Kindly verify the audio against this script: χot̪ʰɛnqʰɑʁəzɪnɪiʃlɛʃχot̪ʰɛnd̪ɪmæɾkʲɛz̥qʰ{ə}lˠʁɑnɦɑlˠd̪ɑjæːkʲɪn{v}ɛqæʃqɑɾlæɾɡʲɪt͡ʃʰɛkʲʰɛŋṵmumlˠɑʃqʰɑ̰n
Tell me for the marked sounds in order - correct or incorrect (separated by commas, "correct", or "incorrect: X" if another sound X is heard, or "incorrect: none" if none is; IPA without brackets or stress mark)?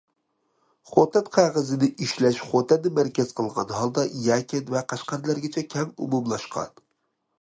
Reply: correct, correct